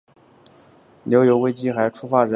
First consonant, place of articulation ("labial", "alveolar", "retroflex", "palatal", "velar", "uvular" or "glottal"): alveolar